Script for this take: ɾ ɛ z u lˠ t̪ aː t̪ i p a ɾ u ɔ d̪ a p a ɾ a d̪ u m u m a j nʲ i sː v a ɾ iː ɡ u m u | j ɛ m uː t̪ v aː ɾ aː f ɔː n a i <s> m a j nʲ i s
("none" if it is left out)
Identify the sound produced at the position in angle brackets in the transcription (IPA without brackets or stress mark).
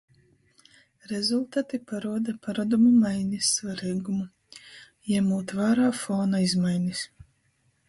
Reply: z